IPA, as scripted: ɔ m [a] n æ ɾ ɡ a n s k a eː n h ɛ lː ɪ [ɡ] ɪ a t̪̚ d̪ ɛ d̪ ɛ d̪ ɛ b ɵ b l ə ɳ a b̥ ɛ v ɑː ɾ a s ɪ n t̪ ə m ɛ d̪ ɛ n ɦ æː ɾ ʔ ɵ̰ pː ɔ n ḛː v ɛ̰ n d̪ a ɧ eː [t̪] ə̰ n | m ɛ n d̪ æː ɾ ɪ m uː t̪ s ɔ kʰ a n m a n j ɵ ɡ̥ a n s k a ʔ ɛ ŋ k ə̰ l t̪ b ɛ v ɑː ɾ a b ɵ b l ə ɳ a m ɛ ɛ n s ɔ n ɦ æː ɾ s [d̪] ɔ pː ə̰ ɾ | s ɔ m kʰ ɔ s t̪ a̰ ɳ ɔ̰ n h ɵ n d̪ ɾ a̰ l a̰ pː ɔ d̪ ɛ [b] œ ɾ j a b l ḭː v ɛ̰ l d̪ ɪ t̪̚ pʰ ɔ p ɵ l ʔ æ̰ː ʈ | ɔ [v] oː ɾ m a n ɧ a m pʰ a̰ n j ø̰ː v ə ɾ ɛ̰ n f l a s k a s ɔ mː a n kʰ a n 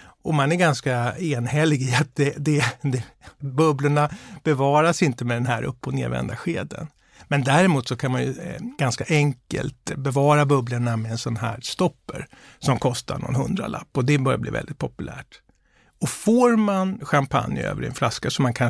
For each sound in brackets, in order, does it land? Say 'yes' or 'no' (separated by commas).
yes, yes, no, no, yes, no